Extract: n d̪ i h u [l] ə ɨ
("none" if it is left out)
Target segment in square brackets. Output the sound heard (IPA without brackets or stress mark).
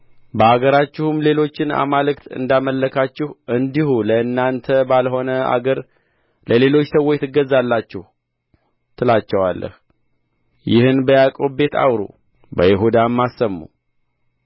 l